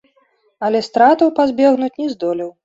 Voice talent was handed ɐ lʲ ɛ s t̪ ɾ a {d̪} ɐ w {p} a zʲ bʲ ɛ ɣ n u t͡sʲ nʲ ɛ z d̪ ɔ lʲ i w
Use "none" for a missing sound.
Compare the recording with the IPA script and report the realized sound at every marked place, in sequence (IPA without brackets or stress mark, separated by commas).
t̪, p